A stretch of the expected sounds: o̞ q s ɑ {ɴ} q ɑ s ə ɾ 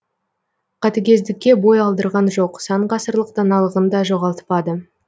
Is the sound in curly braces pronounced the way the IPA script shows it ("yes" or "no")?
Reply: yes